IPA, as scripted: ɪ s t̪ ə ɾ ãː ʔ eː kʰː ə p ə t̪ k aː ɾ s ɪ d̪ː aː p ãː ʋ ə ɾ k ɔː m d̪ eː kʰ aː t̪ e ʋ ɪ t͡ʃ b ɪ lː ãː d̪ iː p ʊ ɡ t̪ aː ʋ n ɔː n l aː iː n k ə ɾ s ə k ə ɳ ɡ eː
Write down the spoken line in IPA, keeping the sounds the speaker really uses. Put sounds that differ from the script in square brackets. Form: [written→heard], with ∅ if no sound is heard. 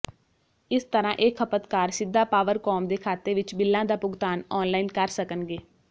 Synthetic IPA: ɪ s t̪ ə ɾ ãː ʔ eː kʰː ə p ə t̪ k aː ɾ s ɪ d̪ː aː p [ãː→aː] ʋ ə ɾ k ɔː m d̪ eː kʰ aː t̪ e ʋ ɪ t͡ʃ b ɪ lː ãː d̪ [iː→aː] p ʊ ɡ t̪ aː [ʋ→∅] n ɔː n l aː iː n k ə ɾ s ə k ə [ɳ→n] ɡ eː